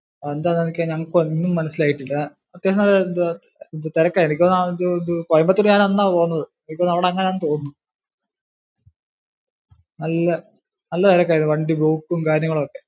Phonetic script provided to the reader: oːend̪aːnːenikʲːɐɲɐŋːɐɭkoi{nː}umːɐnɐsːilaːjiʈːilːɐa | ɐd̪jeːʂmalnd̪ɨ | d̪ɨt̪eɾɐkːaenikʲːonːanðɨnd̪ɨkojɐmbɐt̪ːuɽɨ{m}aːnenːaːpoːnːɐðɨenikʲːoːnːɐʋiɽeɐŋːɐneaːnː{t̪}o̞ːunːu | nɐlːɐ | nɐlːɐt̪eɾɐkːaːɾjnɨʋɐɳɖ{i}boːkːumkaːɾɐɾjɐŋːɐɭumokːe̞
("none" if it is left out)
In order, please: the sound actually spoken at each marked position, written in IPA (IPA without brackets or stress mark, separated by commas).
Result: nː, ɲ, t̪, i